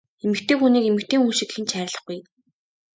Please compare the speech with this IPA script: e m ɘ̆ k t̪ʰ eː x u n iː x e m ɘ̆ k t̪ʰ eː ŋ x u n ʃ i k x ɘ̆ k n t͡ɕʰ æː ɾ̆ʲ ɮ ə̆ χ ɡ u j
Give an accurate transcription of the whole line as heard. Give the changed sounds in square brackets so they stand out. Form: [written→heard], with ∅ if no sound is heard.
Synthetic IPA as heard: e m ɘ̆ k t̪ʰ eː x u n iː [x→k] e m ɘ̆ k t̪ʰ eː ŋ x u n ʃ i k x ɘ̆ [k→∅] n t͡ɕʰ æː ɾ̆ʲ ɮ ə̆ χ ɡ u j